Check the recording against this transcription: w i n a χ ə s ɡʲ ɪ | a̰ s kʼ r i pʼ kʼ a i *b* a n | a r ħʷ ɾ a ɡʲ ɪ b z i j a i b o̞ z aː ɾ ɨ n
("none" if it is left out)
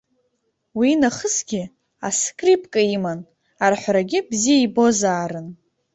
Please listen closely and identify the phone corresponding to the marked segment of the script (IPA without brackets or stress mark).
m